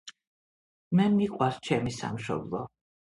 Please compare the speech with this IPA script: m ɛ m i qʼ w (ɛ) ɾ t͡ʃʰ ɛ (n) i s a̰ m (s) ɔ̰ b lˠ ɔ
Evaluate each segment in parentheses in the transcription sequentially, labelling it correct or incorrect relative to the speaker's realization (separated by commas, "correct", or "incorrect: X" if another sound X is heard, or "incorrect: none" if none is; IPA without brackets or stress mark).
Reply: incorrect: a, incorrect: m, incorrect: ʃ